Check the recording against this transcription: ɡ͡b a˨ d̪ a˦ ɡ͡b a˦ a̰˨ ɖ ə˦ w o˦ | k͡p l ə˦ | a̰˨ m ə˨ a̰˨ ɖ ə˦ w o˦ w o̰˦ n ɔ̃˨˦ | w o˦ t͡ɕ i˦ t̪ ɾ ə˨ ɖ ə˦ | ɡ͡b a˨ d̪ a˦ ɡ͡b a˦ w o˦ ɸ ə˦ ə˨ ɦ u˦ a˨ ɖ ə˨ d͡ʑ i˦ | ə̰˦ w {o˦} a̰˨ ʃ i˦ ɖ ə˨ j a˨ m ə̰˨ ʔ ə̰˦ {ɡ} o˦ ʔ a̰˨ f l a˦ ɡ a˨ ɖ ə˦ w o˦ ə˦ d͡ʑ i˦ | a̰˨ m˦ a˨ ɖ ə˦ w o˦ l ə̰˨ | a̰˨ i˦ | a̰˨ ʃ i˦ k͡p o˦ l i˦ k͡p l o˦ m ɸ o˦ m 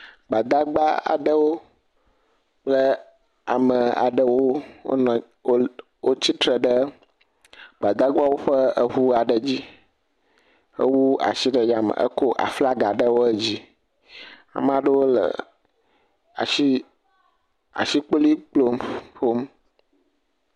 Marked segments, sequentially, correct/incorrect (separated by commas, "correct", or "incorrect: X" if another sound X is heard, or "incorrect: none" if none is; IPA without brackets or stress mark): incorrect: u˦, incorrect: k